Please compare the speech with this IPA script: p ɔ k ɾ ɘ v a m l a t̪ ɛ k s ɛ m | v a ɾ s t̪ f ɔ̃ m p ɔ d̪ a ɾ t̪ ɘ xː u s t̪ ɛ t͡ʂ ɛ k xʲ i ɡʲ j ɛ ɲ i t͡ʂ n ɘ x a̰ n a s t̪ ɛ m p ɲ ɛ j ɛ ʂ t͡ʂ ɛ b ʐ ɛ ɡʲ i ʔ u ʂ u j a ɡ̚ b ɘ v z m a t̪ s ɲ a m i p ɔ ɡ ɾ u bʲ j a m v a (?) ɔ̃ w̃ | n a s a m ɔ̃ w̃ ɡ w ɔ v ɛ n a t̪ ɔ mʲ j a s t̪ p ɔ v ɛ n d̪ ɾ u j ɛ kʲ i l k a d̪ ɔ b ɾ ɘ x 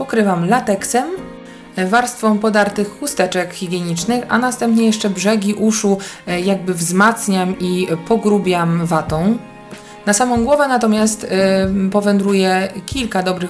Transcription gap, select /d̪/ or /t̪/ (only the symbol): t̪